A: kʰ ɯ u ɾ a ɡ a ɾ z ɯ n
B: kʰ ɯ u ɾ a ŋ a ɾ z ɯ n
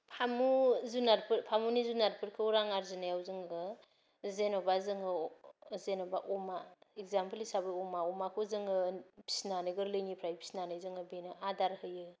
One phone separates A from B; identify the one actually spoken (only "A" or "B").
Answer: B